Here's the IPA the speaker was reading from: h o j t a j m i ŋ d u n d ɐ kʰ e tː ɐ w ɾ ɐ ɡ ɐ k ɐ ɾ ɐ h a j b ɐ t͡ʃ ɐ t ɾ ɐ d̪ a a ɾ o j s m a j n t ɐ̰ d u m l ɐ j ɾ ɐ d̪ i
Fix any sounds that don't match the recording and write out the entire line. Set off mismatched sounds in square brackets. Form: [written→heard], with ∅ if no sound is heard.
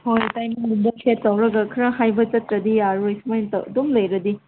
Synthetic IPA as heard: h o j t a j m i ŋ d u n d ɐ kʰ e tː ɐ w ɾ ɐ ɡ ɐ [k→kʰ] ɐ ɾ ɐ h a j b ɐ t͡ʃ ɐ t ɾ ɐ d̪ [a→i] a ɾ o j s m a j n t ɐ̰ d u m l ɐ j ɾ ɐ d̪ i

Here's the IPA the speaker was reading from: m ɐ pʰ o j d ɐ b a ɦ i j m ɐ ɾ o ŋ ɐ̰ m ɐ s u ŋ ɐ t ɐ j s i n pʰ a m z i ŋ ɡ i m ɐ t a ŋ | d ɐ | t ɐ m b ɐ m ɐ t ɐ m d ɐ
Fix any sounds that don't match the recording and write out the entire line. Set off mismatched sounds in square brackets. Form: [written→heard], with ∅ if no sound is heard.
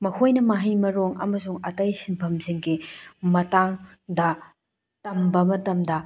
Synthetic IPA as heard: m ɐ [pʰ→kʰ] o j [d→n] ɐ [b→m] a ɦ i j m ɐ ɾ o ŋ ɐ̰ m ɐ s u ŋ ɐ t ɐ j s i n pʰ [a→ɐ] m z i ŋ ɡ i m ɐ t a ŋ | d ɐ | t ɐ m b ɐ m ɐ t ɐ m d ɐ

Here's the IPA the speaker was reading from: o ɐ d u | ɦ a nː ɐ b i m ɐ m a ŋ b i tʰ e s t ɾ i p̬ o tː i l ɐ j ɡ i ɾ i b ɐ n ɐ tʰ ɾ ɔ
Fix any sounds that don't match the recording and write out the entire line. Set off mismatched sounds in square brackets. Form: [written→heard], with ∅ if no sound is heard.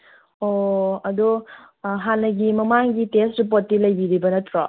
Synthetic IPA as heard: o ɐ d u | ɦ a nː ɐ [b→ɡ] i m ɐ m a ŋ [b→ɡ] i [tʰ→t] e s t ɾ i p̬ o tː i l ɐ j [ɡ→b] i ɾ i b ɐ n ɐ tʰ ɾ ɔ

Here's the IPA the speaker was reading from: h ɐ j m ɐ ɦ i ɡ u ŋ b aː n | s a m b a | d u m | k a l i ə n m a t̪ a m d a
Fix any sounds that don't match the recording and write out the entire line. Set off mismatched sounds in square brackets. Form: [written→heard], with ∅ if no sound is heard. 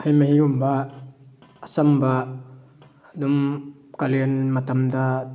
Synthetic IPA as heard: h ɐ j m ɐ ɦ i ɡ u [ŋ→m] b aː [n→∅] | s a m b a | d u m | k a l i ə n m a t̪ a m d a

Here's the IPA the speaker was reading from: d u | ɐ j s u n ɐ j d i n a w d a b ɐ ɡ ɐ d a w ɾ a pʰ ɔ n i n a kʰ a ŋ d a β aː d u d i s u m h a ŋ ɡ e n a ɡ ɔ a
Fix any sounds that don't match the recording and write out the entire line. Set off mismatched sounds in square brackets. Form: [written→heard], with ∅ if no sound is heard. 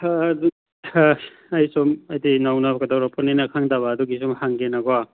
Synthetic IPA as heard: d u | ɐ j s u [n→m] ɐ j d i n a w [d→n] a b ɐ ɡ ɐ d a w ɾ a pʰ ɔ n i n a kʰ a ŋ d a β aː d u [d→ɡ] i s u m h a ŋ ɡ e n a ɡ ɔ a

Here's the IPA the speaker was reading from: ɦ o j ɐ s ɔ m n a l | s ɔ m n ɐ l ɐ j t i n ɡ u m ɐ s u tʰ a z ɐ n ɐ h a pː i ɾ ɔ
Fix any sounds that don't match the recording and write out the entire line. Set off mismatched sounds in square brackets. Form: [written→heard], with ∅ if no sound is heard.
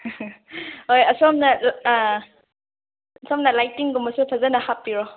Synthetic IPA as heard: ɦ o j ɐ s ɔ m n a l | s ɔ m n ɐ l [ɐ→a] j t i [n→ŋ] ɡ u m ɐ s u [tʰ→pʰ] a z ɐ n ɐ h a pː i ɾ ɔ

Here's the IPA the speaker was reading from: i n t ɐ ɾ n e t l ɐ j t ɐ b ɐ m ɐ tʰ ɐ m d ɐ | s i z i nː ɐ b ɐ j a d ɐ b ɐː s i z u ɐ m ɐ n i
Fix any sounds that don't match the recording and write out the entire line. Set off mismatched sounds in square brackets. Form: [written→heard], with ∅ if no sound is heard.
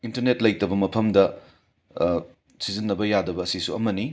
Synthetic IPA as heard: i n t ɐ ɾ n e t l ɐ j t ɐ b ɐ m ɐ [tʰ→pʰ] ɐ m d ɐ | s i z i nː ɐ b ɐ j a d ɐ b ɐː s i [z→s] u ɐ m ɐ n i

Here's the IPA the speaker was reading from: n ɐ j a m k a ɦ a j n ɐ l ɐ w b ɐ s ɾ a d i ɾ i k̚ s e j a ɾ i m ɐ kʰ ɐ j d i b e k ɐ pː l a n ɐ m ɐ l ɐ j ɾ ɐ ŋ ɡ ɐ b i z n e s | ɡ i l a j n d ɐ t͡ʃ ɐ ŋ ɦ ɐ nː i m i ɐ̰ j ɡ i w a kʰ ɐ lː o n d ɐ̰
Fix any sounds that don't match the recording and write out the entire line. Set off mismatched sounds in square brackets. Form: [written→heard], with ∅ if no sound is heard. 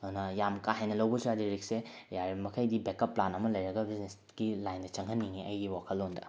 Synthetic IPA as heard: n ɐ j a m k a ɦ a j n ɐ l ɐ w b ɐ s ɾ a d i ɾ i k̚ s e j a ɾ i m ɐ kʰ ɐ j d i b e k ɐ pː l a n ɐ m ɐ l ɐ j ɾ ɐ [ŋ→∅] ɡ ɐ b i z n e s | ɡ i l a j n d ɐ t͡ʃ ɐ ŋ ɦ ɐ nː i [m→ŋ] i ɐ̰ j ɡ i w a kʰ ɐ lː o n d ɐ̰

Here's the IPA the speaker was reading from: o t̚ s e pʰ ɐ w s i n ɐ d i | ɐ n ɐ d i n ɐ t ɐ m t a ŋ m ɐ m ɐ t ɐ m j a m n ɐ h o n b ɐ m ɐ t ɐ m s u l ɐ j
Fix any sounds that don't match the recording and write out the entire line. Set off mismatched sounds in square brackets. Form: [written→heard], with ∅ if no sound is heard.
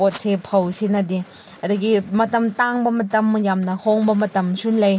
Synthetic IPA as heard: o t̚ s e pʰ ɐ w s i n ɐ d i | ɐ [n→d] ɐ [d→ɡ] i [n→m] ɐ t ɐ m t a ŋ [m→b] ɐ m ɐ t ɐ m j a m n ɐ h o [n→ŋ] b ɐ m ɐ t ɐ m s u l ɐ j

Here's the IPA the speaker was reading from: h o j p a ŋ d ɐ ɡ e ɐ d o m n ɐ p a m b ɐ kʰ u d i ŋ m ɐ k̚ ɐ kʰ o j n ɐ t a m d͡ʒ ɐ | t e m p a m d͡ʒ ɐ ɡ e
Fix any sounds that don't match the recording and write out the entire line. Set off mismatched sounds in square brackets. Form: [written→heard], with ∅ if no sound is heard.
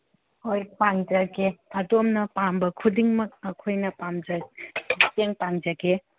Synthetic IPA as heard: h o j p a ŋ [d→d͡ʒ] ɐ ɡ e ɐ d o m n ɐ p a m b ɐ kʰ u d i ŋ m ɐ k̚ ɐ kʰ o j n ɐ [t→p] a m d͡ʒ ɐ | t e [m→ŋ] p a [m→ŋ] d͡ʒ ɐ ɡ e

